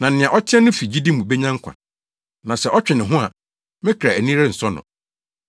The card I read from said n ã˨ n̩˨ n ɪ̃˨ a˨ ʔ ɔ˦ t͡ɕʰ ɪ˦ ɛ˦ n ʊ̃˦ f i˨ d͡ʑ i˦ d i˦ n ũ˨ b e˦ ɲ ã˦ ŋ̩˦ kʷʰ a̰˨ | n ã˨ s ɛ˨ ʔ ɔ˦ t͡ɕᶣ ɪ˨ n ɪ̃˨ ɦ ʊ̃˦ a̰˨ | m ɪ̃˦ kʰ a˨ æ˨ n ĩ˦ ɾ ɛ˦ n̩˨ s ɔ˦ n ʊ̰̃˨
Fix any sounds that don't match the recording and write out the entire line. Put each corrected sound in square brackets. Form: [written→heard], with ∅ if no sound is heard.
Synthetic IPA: n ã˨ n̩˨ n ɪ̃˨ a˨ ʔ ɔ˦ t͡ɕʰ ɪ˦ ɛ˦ n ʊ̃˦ f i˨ d͡ʑ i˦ d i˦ [n→m] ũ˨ b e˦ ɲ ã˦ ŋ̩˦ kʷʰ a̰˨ | n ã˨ s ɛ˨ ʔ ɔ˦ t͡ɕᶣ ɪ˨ n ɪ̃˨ ɦ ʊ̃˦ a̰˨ | m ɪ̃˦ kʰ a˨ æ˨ n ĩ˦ ɾ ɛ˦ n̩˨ s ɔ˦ n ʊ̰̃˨

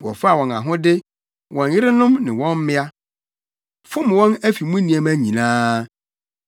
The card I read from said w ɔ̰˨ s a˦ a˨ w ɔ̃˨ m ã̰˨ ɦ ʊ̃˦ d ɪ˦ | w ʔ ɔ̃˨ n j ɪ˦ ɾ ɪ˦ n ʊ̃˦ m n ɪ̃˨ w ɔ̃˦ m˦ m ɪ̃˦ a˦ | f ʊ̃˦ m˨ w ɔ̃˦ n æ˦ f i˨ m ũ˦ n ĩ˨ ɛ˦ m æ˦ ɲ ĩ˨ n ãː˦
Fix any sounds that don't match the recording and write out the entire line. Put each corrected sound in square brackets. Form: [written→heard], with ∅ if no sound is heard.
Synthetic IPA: w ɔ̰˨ [s→f] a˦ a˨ w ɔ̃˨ [m→n] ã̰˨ ɦ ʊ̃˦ d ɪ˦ | w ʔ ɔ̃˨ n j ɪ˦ ɾ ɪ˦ n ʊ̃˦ m n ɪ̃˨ w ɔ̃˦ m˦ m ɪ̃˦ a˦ | f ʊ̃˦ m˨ w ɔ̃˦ n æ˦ f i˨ m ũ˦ n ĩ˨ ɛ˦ m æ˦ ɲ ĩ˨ n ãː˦

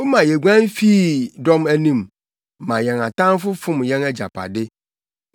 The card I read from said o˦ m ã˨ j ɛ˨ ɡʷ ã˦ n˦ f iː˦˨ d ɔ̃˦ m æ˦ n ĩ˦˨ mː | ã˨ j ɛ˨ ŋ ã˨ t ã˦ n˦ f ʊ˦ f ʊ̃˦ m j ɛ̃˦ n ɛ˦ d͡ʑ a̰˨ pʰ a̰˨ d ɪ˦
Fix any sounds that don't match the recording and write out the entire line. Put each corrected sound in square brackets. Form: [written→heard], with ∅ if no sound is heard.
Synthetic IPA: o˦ m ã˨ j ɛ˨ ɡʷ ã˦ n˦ f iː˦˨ d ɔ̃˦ m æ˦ n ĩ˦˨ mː | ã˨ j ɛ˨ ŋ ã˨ t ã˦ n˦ f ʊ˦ f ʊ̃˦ m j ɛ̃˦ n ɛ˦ d͡ʑ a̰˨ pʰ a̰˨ d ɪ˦

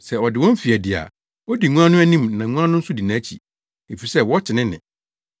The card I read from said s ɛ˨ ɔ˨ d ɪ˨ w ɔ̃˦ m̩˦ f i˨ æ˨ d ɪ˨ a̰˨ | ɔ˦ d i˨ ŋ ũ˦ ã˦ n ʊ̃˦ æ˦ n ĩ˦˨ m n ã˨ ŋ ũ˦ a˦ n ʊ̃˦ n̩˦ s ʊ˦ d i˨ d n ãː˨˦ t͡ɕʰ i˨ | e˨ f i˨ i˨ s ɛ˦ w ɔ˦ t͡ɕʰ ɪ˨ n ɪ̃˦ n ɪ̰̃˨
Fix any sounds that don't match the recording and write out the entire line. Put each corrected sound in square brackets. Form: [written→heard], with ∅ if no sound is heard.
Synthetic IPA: s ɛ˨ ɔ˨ d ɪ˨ w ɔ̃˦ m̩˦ f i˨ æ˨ d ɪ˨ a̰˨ | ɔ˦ d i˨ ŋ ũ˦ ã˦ n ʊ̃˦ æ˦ n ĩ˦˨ m n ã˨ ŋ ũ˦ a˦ n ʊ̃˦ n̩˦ s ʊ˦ d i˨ [d→∅] n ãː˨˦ t͡ɕʰ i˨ | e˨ f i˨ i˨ s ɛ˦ w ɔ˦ t͡ɕʰ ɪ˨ n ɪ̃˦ n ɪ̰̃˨

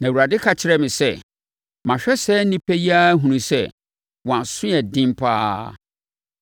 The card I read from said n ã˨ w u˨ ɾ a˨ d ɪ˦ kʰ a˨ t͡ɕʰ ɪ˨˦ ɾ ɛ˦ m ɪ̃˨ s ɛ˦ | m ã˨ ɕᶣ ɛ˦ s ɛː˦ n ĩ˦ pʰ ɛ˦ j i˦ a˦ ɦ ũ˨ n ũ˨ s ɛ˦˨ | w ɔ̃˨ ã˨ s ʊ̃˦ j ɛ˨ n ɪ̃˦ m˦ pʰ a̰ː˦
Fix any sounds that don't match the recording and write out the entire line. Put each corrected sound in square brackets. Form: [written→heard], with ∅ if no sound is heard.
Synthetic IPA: n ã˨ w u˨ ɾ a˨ d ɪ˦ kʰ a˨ t͡ɕʰ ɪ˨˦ ɾ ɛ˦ m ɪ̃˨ s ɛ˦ | m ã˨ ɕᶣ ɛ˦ s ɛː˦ n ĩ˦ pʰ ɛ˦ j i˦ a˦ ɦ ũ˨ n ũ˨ s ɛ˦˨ | w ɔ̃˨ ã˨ s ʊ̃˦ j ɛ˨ [n→d] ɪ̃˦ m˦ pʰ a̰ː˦

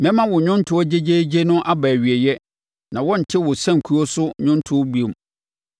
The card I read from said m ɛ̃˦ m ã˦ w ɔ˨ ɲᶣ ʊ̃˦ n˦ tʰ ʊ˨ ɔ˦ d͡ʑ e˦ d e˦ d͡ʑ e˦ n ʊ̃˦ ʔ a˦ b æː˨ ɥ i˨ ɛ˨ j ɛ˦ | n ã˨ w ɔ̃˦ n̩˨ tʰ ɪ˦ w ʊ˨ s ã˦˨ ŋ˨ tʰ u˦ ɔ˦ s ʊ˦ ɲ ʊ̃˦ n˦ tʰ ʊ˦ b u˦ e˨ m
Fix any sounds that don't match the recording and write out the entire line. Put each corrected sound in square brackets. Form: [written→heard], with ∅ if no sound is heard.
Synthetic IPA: m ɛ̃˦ m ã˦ w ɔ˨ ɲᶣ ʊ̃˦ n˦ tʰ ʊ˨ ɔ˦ d͡ʑ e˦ [d→d͡ʑ] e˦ d͡ʑ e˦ n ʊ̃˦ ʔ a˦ b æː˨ ɥ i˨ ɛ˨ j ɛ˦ | n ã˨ w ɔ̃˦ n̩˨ tʰ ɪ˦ w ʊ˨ s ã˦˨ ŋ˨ [tʰ→kʰ] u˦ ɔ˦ s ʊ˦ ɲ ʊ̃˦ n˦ tʰ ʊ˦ b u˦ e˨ m

